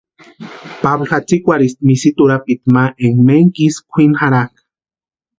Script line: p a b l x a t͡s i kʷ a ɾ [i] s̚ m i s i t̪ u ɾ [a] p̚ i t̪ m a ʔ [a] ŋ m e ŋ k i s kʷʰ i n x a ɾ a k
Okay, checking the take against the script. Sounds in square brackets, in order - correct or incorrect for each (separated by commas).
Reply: correct, correct, incorrect